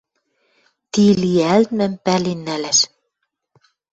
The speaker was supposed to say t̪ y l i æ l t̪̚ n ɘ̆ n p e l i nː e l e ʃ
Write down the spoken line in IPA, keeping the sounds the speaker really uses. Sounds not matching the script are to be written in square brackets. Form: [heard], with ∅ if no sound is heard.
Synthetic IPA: t̪ [i] l i æ l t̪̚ [m] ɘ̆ [m] p [æ] l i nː [æ] l [æ] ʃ